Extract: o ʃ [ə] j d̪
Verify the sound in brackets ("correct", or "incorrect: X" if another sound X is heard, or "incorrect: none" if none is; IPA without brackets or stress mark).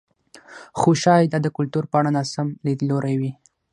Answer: incorrect: ɑ